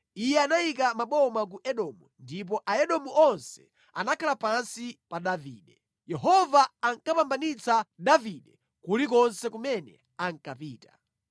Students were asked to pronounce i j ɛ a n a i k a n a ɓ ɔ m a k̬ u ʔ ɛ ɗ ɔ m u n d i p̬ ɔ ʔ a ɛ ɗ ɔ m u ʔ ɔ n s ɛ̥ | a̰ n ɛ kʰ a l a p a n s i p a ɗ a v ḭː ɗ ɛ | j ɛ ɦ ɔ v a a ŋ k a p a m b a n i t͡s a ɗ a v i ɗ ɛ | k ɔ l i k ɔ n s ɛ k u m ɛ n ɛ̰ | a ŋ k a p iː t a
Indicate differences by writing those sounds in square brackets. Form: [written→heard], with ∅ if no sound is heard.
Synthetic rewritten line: i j ɛ a n a i k a [n→m] a ɓ ɔ m a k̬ u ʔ ɛ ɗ ɔ m u n d i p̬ ɔ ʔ a ɛ ɗ ɔ m u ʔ ɔ n s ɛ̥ | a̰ n [ɛ→a] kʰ a l a p a n s i p a ɗ a v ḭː ɗ ɛ | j ɛ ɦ ɔ v a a ŋ k a p a m b a n i t͡s a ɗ a v i ɗ ɛ | k [ɔ→u] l i k ɔ n s ɛ k u m ɛ n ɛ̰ | a ŋ k a p iː t a